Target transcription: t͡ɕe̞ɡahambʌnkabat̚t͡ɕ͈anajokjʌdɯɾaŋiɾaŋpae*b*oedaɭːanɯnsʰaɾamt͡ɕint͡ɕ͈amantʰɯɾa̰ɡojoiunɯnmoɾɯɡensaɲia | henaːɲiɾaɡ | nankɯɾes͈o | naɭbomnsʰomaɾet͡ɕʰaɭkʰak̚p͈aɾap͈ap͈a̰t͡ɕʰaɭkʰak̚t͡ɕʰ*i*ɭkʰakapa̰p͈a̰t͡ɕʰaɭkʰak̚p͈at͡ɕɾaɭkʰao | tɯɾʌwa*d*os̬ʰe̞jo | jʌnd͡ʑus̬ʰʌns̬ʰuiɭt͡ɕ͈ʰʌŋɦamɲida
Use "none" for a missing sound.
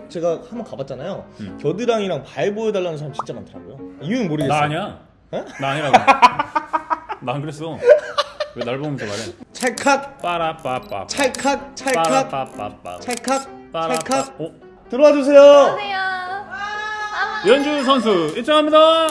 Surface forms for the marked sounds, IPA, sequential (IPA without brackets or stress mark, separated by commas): b, a, d͡ʑ